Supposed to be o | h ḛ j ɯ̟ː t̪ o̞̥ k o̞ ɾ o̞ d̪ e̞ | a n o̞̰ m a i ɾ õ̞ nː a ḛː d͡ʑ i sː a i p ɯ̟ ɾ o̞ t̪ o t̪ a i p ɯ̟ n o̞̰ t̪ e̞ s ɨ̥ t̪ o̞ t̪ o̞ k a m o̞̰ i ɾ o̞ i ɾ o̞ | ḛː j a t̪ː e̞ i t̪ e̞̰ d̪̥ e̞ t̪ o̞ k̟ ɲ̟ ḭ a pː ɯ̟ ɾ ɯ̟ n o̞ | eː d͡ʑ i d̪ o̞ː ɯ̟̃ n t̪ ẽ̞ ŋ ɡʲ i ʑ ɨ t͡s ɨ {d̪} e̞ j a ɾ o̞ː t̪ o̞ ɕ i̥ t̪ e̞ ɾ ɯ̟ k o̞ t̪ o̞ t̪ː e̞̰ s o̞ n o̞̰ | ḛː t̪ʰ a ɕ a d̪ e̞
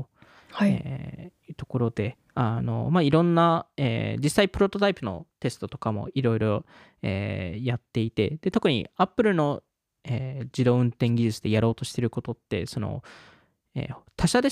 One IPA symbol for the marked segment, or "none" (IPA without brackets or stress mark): d̪